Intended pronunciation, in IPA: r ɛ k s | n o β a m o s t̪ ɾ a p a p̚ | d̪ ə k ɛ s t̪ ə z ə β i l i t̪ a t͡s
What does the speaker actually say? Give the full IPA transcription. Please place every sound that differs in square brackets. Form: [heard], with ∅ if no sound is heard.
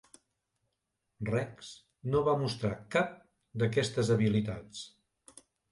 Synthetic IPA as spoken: r ɛ k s | n o β a m [u] s t̪ ɾ a [k] a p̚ | d̪ ə k ɛ s t̪ ə z ə β i l i t̪ a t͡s